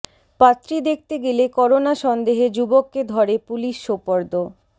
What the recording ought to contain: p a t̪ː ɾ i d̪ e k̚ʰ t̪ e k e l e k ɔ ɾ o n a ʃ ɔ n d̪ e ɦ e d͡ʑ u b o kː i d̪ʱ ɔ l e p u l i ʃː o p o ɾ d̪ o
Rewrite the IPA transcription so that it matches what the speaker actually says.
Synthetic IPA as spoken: p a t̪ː ɾ i d̪ e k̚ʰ t̪ e ɡ e l e k ɔ ɾ o n a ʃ ɔ n d̪ e ɦ e d͡ʑ u b o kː e d̪ʱ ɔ ɾ e p u l i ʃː o p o ɾ d̪ o